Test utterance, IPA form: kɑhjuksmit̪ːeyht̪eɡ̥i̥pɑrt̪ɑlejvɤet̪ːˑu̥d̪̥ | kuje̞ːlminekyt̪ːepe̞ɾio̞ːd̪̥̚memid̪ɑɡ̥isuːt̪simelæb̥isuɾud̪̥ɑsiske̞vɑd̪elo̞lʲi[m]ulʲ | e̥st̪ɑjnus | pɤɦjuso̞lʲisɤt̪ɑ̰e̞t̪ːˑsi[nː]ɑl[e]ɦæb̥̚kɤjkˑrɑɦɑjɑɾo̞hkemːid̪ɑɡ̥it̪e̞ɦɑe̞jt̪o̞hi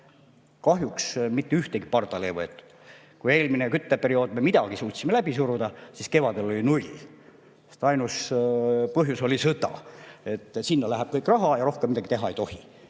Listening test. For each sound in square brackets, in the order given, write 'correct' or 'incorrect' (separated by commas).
incorrect, correct, incorrect